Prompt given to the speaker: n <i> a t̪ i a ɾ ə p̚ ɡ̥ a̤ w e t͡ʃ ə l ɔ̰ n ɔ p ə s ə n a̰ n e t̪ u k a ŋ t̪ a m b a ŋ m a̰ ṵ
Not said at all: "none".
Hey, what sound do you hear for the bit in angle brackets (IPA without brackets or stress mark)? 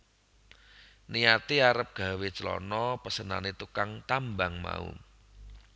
i